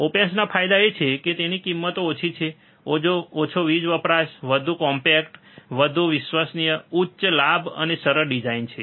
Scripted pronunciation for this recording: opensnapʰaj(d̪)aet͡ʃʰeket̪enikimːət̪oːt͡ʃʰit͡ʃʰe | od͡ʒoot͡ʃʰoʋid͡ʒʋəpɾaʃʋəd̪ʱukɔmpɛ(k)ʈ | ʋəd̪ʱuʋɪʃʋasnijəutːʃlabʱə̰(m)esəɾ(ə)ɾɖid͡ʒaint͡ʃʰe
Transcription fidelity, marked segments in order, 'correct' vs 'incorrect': correct, correct, incorrect, correct

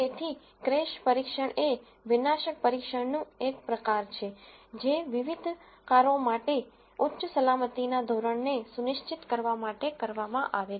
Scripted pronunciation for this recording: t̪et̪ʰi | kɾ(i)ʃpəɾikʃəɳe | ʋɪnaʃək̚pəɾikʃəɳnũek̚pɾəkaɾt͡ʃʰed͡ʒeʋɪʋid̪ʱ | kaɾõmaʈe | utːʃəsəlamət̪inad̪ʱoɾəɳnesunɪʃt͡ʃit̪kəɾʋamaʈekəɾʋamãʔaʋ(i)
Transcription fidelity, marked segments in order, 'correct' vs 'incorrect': incorrect, incorrect

